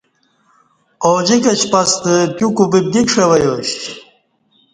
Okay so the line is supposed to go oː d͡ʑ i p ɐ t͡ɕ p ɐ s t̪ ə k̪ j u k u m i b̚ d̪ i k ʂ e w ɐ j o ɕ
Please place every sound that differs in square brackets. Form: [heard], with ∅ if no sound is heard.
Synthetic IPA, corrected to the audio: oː d͡ʑ i [k] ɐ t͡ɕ p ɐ s t̪ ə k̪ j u k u [b] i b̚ d̪ i k ʂ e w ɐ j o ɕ